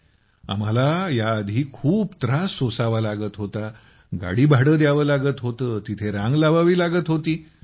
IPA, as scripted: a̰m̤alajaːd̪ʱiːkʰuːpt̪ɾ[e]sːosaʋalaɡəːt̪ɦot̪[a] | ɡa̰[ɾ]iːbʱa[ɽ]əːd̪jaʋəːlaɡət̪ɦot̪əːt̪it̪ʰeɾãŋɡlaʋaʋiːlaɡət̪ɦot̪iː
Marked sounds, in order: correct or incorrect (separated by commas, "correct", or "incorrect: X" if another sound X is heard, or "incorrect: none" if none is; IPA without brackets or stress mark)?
incorrect: a, correct, incorrect: ɽ, correct